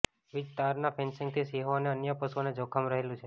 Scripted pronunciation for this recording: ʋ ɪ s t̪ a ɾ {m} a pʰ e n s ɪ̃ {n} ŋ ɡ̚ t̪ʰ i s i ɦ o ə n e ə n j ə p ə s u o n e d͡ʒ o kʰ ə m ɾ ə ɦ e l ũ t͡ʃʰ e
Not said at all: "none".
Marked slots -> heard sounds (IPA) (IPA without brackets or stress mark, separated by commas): n, none